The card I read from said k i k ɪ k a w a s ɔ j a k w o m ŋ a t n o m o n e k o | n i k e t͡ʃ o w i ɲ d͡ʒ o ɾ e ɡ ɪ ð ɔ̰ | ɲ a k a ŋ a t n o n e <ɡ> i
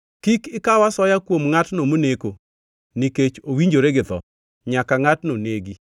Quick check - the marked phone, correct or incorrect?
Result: correct